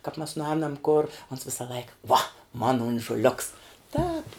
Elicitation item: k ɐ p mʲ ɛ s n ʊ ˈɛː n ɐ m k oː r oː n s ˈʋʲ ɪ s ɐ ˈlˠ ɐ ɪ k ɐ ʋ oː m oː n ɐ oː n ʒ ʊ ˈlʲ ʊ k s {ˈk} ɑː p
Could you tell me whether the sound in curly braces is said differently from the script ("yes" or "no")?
yes